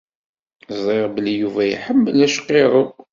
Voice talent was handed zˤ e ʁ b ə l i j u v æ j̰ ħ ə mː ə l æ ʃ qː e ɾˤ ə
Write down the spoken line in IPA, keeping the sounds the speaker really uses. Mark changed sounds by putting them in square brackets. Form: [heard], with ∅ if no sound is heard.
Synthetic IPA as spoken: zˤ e ʁ b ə l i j u v æ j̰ ħ ə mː ə l æ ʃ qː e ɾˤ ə